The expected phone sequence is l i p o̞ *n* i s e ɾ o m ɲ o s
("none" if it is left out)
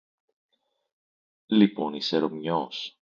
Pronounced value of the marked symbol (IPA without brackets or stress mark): n